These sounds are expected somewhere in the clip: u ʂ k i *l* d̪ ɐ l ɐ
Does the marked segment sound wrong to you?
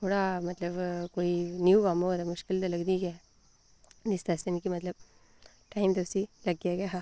no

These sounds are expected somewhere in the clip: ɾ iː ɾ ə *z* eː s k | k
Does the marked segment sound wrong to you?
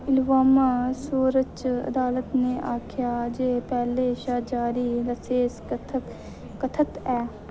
yes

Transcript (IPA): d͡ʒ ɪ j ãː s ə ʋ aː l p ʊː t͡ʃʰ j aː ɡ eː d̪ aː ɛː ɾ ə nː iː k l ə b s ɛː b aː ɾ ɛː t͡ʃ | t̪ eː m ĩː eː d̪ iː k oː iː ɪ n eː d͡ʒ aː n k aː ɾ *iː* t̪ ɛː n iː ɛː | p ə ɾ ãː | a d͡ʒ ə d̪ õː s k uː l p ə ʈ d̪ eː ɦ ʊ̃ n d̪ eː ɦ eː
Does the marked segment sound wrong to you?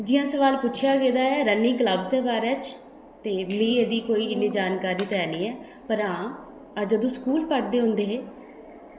no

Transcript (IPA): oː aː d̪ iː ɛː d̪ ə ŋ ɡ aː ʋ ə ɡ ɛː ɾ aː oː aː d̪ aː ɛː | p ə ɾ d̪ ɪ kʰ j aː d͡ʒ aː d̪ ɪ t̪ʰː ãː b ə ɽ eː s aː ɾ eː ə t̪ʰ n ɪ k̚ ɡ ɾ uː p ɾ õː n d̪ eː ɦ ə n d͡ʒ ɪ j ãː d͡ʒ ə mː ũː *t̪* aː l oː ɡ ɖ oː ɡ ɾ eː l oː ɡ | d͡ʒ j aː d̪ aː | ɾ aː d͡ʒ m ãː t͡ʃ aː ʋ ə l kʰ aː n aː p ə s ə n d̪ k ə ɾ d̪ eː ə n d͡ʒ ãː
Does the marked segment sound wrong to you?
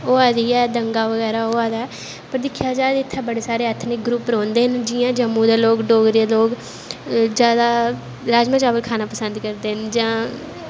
yes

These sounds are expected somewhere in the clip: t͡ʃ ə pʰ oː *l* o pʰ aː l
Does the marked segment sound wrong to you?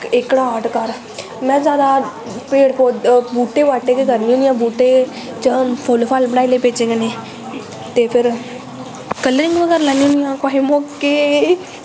no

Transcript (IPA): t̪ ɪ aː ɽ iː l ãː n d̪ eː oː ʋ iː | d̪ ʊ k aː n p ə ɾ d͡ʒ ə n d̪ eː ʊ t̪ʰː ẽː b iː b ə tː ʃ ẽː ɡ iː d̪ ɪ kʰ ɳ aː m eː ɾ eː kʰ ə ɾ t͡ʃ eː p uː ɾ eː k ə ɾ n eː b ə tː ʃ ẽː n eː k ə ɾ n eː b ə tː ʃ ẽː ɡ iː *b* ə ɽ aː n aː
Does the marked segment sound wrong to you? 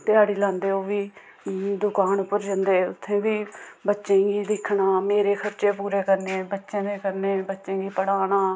yes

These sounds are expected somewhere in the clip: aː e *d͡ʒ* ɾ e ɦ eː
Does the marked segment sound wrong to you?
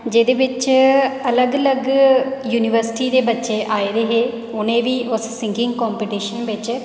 yes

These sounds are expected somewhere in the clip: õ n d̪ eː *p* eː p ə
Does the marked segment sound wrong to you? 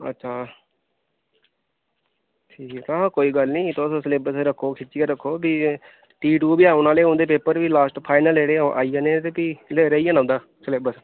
no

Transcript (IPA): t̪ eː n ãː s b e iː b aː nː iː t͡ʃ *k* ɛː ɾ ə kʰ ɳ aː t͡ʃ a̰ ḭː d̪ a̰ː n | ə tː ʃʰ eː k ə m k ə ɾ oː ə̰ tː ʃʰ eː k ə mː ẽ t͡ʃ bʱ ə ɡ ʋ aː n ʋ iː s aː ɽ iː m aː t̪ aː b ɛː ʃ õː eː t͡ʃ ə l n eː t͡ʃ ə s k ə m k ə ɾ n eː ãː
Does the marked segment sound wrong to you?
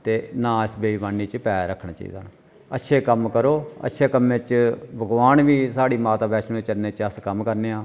yes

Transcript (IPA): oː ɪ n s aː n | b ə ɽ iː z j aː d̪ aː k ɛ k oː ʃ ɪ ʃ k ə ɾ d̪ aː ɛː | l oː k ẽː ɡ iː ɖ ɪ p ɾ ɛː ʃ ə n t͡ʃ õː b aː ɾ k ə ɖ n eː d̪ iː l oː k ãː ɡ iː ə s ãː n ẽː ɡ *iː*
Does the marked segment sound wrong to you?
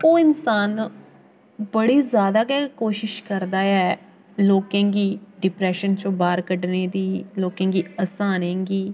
no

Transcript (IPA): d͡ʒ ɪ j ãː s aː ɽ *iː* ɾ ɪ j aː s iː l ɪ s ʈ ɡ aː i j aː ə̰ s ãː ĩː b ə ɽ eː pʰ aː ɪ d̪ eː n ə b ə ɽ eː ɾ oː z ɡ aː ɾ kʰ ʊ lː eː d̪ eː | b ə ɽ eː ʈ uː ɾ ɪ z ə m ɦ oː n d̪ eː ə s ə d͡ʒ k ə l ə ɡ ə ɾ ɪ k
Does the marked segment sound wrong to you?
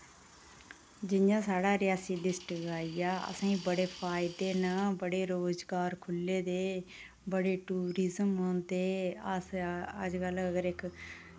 yes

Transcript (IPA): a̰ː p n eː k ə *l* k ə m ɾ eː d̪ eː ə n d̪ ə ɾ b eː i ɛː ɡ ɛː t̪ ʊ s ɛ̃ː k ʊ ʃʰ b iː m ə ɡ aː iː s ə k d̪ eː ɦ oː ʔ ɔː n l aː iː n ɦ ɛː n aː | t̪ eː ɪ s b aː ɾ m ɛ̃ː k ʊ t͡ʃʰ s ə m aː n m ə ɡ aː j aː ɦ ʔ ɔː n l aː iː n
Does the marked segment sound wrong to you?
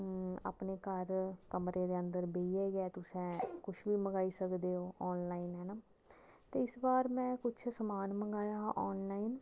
yes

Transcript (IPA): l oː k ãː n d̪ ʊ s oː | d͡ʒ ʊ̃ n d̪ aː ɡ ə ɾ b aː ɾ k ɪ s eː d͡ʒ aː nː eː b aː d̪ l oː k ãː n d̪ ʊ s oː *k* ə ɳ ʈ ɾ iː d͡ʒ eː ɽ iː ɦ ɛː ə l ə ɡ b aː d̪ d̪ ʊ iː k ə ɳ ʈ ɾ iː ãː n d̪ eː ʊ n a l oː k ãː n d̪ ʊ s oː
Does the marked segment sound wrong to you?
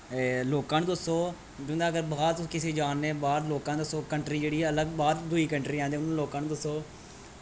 no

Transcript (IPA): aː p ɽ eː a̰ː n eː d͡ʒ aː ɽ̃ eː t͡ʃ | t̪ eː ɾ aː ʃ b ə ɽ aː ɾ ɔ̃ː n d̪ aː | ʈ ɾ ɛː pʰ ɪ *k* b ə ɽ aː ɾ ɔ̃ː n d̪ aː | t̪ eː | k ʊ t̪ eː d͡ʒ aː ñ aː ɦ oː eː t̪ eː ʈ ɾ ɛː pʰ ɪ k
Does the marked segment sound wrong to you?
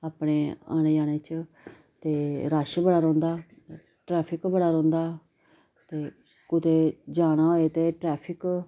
no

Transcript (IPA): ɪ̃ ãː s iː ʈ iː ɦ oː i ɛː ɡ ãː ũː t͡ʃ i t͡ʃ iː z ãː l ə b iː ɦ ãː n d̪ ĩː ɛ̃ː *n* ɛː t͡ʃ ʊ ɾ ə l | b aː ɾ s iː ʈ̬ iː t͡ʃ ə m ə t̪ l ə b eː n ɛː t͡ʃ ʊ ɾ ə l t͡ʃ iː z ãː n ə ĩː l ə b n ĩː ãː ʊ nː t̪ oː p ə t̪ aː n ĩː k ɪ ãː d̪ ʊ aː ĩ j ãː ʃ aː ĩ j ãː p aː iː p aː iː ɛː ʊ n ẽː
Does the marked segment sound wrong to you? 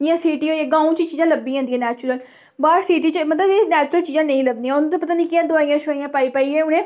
no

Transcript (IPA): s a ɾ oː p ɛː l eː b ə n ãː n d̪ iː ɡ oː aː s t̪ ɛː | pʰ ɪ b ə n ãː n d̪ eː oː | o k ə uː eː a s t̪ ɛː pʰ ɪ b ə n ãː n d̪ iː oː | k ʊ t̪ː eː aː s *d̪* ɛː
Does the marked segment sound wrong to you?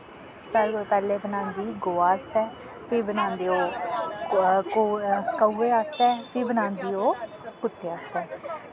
yes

